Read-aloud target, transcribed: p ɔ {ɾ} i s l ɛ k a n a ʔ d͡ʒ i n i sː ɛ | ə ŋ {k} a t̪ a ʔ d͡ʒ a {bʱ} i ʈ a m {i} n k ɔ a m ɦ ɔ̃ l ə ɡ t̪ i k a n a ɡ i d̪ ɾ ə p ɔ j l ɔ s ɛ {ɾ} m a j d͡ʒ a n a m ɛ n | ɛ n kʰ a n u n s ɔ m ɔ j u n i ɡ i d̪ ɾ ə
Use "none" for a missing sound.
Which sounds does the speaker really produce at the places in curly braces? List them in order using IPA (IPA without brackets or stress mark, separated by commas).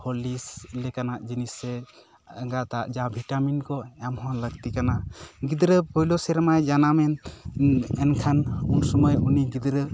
l, ɡ, bʱ, i, ɾ